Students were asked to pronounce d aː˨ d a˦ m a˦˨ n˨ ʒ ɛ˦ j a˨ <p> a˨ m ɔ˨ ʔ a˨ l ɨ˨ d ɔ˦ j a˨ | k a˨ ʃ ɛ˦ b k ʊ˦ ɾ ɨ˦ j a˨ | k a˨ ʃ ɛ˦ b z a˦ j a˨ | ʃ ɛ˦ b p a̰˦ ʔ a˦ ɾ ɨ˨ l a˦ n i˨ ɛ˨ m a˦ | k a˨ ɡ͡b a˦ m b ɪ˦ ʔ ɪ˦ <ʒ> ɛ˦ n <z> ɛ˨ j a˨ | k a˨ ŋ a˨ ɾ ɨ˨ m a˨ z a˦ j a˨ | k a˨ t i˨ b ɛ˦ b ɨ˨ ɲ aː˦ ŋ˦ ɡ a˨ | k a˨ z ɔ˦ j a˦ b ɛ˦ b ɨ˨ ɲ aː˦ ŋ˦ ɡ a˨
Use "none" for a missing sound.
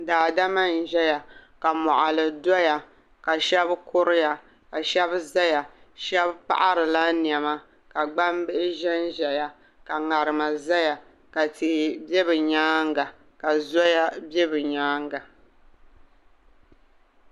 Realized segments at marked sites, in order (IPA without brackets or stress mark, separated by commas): k, ʒ, ʒ